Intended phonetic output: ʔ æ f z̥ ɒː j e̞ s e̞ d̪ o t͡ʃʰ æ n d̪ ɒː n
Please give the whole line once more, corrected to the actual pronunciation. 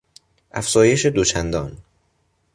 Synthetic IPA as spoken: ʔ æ f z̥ ɒː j e̞ ʃ e̞ d̪ o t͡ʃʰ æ n d̪ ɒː n